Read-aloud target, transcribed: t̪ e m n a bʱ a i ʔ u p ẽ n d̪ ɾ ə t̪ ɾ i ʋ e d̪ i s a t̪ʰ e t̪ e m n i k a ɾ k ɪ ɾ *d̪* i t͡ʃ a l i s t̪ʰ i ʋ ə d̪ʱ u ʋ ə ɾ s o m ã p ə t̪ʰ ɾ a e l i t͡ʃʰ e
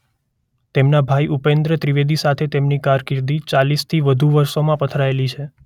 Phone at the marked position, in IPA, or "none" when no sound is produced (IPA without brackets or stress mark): d̪